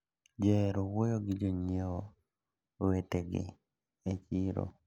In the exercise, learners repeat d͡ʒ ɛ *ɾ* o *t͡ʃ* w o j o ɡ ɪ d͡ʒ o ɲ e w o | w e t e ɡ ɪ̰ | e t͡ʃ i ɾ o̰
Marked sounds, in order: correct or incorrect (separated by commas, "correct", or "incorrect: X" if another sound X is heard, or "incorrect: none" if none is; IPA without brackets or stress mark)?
correct, incorrect: none